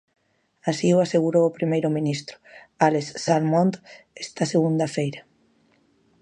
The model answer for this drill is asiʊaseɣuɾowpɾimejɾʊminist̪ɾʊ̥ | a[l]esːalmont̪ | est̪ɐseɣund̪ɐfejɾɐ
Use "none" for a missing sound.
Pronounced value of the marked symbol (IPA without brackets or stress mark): l